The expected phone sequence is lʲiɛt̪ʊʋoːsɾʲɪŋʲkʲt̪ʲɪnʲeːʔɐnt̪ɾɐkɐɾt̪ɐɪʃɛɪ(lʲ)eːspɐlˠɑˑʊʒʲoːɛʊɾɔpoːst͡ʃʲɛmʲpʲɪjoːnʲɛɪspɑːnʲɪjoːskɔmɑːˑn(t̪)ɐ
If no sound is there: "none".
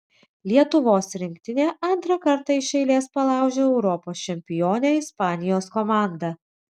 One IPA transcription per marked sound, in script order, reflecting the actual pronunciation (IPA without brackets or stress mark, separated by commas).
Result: lʲ, d̪